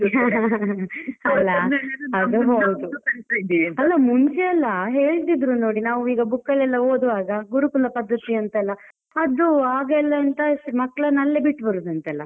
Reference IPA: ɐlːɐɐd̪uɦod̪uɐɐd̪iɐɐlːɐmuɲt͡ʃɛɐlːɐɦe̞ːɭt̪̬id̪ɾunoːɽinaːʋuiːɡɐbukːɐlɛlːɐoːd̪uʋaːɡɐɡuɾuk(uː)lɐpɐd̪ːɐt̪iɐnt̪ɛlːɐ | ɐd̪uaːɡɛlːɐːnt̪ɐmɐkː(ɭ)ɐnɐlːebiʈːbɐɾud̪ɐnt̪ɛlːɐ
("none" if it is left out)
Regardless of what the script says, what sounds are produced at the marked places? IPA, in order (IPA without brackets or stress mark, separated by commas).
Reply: u, ɭ